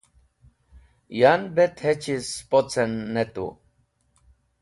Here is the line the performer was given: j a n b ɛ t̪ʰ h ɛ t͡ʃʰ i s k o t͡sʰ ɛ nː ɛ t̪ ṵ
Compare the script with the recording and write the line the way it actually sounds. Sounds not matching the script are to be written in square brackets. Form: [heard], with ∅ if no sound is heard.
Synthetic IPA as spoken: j a n b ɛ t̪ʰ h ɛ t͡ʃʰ i s [p] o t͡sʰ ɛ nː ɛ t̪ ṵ